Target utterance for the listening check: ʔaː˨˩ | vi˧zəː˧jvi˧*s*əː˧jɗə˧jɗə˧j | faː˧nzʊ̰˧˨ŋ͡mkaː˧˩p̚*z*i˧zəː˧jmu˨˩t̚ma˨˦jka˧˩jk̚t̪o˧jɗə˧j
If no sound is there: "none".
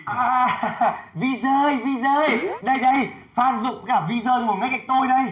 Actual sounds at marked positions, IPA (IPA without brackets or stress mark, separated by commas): z, v